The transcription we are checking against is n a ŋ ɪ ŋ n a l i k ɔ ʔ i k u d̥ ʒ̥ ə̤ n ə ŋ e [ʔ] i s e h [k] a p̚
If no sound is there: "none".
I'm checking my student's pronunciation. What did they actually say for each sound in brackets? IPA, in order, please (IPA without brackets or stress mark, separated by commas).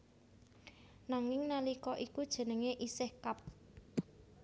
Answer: ʔ, k